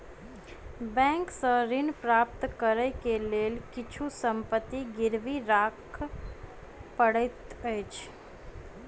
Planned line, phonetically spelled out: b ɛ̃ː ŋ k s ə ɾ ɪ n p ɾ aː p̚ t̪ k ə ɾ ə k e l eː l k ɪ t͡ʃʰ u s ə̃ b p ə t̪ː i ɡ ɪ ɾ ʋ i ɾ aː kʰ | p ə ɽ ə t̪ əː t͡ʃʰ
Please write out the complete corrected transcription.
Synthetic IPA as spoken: b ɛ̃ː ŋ k s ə ɾ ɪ n p ɾ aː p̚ t̪ k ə ɾ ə k e l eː l k ɪ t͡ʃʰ u s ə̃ m p ə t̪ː i ɡ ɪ ɾ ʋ i ɾ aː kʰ | p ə ɽ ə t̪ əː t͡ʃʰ